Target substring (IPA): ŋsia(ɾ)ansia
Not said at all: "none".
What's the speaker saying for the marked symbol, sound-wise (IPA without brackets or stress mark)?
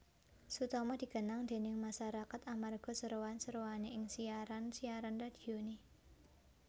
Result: ɾ